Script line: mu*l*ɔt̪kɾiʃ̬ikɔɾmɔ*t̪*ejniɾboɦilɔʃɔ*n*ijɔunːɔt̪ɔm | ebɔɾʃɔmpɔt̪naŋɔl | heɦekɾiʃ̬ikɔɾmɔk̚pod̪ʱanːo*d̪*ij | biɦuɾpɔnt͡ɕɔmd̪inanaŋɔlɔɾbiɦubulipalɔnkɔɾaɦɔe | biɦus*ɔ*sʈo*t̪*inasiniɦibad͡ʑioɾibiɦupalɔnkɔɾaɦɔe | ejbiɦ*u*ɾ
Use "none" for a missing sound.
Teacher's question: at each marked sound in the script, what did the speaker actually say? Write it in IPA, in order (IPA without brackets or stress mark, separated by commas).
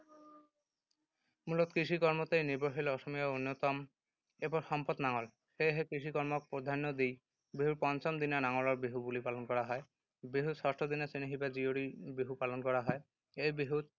l, t̪, m, d̪, ɔ, d̪, u